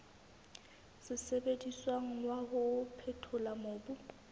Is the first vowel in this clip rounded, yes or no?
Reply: no